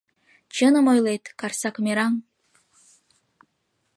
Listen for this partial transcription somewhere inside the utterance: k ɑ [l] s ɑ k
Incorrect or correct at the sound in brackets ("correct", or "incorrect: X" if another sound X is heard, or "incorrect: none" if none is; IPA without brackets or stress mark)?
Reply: incorrect: r